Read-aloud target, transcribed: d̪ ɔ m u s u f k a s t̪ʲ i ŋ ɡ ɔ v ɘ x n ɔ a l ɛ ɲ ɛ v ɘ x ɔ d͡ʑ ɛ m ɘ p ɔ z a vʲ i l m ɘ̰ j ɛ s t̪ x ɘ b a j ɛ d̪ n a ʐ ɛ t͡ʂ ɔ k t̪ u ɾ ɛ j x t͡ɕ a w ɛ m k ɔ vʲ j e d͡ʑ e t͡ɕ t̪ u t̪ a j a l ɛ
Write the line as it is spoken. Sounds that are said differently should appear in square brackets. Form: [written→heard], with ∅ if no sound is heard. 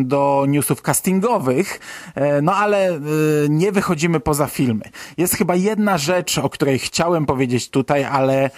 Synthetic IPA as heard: d̪ ɔ [m→ɲ] u s u f k a s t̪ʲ i ŋ ɡ ɔ v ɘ x n ɔ a l ɛ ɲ ɛ v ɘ x ɔ d͡ʑ [ɛ→i] m ɘ p ɔ z a [vʲ→fʲ] i l m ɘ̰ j ɛ s t̪ x ɘ b a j ɛ d̪ n a ʐ ɛ t͡ʂ ɔ k t̪ u ɾ ɛ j x t͡ɕ a w ɛ m [k→p] ɔ vʲ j e d͡ʑ e t͡ɕ t̪ u t̪ a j a l ɛ